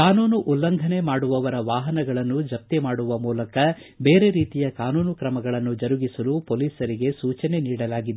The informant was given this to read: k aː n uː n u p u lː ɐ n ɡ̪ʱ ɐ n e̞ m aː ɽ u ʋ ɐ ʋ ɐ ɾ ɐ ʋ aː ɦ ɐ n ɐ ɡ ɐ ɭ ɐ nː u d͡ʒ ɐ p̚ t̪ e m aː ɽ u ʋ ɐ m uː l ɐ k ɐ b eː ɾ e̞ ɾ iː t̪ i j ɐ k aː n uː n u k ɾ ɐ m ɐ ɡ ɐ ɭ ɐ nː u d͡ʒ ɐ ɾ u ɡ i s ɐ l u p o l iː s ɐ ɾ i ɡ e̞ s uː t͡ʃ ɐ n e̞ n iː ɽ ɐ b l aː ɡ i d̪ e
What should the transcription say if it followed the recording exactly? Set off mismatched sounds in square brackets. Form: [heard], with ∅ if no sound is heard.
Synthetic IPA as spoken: k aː n uː n u [ʔ] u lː ɐ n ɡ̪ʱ ɐ n e̞ m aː ɽ u ʋ ɐ ʋ ɐ ɾ ɐ ʋ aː ɦ ɐ n ɐ ɡ ɐ ɭ ɐ nː u d͡ʒ ɐ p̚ t̪ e m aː ɽ u ʋ ɐ m uː l ɐ k ɐ b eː ɾ e̞ ɾ iː t̪ i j ɐ k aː n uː n u k ɾ ɐ m ɐ ɡ ɐ ɭ ɐ nː u d͡ʒ ɐ ɾ u ɡ i s ɐ l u p o l iː s ɐ ɾ i ɡ e̞ s uː t͡ʃ ɐ n e̞ n iː ɽ ɐ [∅] l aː ɡ i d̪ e